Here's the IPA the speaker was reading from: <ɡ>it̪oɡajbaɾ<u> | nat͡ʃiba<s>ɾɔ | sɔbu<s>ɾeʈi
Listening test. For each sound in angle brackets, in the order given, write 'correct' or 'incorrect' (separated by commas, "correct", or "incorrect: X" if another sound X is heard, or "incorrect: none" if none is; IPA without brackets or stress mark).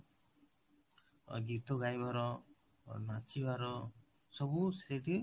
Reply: correct, incorrect: ɔ, incorrect: none, correct